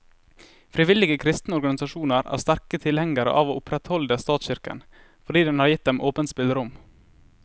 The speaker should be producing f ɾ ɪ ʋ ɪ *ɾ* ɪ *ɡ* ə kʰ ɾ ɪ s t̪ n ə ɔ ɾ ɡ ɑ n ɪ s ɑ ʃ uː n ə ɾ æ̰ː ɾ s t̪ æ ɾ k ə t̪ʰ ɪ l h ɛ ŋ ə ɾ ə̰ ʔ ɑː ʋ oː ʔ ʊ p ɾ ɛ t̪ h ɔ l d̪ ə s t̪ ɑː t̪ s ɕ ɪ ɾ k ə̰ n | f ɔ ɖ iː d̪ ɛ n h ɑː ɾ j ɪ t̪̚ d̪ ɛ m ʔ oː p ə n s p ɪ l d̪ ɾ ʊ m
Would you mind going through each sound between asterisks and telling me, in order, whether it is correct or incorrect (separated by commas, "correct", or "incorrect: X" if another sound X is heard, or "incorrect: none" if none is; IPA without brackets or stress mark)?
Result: incorrect: l, correct